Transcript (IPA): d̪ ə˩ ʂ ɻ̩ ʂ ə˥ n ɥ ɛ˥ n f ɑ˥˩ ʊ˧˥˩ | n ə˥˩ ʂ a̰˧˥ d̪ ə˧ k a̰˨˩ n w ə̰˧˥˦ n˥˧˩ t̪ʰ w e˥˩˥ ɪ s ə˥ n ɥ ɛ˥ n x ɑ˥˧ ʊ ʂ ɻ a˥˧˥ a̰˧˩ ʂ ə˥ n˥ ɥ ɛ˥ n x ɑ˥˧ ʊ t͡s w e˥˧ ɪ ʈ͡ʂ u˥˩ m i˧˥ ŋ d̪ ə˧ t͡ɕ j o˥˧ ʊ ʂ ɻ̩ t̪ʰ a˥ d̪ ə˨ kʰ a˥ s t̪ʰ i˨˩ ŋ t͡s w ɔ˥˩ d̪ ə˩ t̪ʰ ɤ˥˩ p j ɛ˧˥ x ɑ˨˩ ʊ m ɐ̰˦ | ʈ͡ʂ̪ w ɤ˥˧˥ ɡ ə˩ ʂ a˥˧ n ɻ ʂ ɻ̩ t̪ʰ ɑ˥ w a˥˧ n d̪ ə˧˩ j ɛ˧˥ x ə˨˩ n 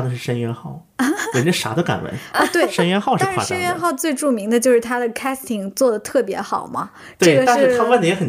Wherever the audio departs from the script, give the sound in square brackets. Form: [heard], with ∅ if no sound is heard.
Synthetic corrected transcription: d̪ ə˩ ʂ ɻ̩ ʂ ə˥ n ɥ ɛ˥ n [x] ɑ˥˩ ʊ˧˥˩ | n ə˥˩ ʂ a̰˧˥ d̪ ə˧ k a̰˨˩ n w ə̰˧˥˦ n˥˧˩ [t̪] w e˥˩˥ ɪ [ʂ] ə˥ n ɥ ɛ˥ n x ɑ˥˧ ʊ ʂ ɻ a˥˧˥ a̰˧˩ ʂ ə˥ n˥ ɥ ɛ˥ n x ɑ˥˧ ʊ t͡s w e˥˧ ɪ ʈ͡ʂ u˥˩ m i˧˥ ŋ d̪ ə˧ t͡ɕ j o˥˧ ʊ ʂ ɻ̩ t̪ʰ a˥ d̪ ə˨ kʰ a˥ s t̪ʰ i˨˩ ŋ t͡s w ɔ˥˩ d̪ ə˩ t̪ʰ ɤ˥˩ p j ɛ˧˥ x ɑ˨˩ ʊ m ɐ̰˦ | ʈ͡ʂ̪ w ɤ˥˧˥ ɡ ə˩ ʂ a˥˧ n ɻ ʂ ɻ̩ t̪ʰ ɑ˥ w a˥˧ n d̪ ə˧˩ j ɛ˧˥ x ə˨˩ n